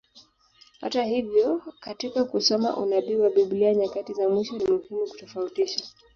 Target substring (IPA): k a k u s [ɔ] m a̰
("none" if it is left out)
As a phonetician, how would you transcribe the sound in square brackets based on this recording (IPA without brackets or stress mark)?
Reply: ɔ